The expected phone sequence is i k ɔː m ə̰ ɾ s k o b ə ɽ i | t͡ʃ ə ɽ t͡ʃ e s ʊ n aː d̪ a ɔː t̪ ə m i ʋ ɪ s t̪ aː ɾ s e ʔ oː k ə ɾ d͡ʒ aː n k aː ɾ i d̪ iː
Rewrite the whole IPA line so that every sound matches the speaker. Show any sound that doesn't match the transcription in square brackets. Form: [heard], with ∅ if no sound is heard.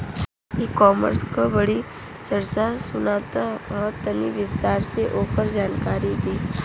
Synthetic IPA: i k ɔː m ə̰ ɾ s k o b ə ɽ i | t͡ʃ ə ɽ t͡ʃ [a] s ʊ n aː [t̪] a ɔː t̪ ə [n] i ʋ ɪ s t̪ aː ɾ s e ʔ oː k ə ɾ d͡ʒ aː n k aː ɾ i d̪ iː